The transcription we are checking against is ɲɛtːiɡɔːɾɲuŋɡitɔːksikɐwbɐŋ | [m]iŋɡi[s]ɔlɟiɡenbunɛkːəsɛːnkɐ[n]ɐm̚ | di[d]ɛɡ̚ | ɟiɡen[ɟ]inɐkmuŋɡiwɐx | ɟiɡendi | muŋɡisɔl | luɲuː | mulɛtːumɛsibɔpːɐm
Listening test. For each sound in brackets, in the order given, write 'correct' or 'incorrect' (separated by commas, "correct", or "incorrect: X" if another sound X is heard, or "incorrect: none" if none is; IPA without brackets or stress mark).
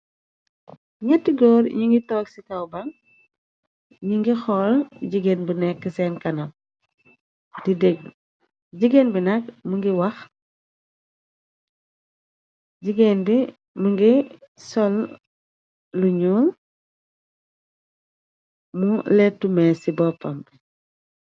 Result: incorrect: ɲ, incorrect: x, correct, correct, incorrect: b